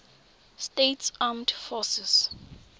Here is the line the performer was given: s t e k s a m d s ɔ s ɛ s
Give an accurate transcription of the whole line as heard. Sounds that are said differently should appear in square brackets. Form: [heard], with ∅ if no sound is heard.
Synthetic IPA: s t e [t] s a m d [f] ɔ s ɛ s